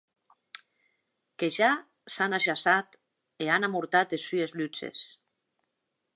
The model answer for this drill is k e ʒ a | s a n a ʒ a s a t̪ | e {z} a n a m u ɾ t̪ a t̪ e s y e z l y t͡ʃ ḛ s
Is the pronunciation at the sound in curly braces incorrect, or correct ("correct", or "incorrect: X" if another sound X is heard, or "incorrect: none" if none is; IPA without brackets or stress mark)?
incorrect: none